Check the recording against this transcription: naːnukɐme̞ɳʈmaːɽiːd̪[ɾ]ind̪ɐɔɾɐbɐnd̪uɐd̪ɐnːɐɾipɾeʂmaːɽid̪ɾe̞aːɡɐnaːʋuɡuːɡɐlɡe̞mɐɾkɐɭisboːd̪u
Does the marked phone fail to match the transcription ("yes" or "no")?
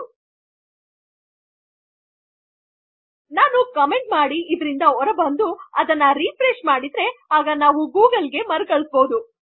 no